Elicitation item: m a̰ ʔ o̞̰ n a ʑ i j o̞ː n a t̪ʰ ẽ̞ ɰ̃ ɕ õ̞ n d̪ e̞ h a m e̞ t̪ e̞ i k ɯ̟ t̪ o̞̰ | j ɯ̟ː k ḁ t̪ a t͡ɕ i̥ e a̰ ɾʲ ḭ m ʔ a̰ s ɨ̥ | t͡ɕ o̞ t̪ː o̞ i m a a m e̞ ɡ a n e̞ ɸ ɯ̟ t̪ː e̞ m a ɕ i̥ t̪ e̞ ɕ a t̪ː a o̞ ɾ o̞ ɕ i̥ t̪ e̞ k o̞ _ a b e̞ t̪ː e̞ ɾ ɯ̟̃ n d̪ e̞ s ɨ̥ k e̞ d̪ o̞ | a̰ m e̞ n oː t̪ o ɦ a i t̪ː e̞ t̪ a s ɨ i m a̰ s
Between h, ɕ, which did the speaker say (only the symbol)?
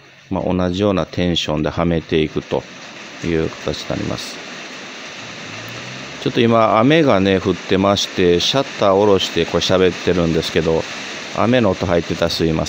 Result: ɕ